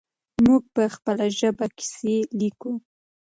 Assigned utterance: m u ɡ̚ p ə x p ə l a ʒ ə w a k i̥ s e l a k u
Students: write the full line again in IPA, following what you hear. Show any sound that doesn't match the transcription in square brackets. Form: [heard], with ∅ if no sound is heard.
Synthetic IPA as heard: m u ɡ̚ p ə x p ə l a ʒ ə [b] a k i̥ s e l [i] k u